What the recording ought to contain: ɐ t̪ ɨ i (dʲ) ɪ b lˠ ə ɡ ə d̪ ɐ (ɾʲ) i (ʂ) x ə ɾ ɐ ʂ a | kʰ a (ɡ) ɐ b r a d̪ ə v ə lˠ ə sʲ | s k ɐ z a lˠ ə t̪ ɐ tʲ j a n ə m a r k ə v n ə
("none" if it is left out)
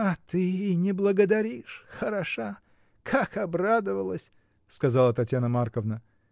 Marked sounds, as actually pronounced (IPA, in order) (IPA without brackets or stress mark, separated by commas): nʲ, ɾʲ, ʂ, k